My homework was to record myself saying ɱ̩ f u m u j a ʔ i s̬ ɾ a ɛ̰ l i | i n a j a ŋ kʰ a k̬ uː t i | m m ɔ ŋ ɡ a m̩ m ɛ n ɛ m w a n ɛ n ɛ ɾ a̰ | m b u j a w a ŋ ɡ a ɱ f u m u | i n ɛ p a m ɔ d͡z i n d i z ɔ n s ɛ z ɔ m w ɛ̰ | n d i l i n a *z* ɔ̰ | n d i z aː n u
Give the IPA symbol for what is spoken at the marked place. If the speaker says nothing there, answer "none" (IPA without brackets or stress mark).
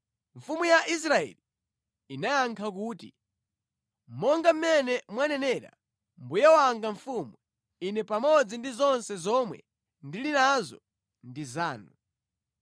z